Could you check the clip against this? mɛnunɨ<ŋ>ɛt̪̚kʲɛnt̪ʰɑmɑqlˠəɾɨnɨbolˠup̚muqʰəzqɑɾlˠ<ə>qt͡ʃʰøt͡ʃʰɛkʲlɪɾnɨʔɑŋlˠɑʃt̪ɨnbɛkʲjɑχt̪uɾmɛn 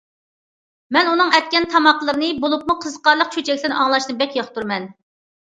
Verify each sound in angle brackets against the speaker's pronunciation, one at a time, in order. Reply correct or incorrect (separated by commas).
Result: correct, correct